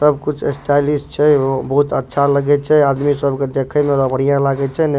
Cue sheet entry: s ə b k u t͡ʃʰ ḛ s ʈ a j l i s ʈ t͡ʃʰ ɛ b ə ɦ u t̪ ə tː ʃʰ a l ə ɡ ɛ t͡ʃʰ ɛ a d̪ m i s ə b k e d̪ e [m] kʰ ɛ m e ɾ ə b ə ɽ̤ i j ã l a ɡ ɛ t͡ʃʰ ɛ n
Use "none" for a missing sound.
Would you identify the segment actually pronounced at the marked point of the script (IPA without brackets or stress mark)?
none